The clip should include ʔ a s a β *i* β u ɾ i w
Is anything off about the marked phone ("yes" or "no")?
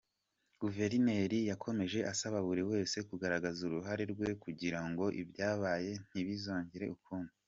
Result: yes